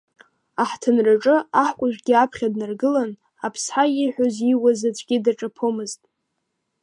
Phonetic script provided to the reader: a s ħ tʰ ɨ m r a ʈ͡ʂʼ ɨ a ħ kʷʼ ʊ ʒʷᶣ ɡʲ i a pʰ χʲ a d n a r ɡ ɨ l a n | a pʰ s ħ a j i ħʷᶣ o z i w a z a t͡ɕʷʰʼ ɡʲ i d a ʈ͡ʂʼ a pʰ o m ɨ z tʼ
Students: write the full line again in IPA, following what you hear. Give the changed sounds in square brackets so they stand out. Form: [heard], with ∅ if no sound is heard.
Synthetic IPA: a [∅] ħ tʰ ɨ [n] r a ʈ͡ʂʼ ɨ a ħ kʷʼ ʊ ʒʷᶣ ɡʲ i a pʰ χʲ a d n a r ɡ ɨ l a n | a pʰ s ħ a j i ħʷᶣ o z i w a z a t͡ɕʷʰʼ ɡʲ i d a ʈ͡ʂʼ a pʰ o m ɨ z tʼ